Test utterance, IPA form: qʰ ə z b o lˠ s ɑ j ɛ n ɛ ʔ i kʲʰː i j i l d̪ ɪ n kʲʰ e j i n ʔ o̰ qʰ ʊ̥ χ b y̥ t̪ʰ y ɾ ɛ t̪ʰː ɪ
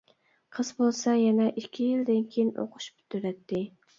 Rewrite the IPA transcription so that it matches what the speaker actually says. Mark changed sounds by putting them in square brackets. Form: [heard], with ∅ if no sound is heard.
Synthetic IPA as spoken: qʰ ə z b o lˠ s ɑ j ɛ n ɛ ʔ i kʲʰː i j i l d̪ ɪ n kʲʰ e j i n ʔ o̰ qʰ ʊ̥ [ʃ] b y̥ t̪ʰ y ɾ ɛ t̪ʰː ɪ